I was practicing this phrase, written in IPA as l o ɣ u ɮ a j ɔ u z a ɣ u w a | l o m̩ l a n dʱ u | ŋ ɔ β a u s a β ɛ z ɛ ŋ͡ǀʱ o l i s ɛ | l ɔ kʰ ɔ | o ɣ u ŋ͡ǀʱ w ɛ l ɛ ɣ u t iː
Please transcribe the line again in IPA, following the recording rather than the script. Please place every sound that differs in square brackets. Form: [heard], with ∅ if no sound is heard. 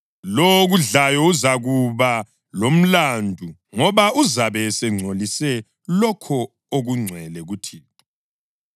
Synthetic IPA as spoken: l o ɣ u ɮ a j ɔ u z a ɣ u [β] a | l o m̩ l a n dʱ u | ŋ ɔ β a u [z] a β ɛ [s] ɛ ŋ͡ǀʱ o l i s ɛ | l ɔ kʰ ɔ | o ɣ u ŋ͡ǀʱ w ɛ l ɛ ɣ u [tʰ] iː